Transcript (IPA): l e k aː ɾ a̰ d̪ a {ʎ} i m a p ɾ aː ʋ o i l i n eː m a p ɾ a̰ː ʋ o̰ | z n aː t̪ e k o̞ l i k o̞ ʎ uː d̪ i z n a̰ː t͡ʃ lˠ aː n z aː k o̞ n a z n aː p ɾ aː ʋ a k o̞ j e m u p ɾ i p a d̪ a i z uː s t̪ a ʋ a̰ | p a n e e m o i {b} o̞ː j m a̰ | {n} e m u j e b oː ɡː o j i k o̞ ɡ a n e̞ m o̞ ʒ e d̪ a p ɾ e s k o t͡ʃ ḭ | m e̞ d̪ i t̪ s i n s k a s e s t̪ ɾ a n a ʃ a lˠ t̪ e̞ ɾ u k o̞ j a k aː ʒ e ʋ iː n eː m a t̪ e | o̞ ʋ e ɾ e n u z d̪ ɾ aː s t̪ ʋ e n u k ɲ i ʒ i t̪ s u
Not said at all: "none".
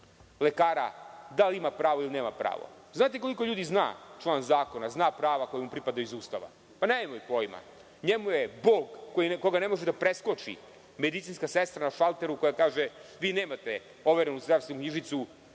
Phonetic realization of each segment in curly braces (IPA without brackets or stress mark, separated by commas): l, p, ɲ